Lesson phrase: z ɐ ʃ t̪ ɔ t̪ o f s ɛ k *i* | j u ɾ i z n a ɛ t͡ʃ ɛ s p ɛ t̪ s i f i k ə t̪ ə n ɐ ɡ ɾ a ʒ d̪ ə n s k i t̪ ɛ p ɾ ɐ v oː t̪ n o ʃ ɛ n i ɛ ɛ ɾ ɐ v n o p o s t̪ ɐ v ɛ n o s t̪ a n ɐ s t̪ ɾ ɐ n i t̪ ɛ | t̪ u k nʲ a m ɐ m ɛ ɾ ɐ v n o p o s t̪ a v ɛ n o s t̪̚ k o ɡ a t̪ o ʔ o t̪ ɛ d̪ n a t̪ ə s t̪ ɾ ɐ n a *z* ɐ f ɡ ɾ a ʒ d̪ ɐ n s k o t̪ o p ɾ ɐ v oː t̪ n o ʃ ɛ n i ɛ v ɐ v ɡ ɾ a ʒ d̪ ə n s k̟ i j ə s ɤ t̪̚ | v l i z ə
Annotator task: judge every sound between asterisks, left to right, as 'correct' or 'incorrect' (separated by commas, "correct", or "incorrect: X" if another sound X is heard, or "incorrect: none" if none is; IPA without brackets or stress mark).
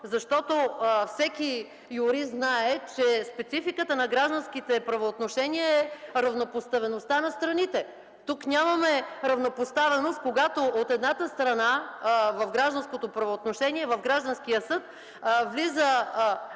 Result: correct, incorrect: v